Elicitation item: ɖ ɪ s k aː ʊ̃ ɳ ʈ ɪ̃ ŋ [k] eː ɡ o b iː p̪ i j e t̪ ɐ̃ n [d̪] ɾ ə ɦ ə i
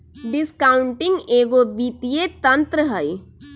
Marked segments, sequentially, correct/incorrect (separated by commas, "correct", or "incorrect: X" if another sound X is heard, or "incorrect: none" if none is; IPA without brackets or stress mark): incorrect: ɡ, incorrect: t̪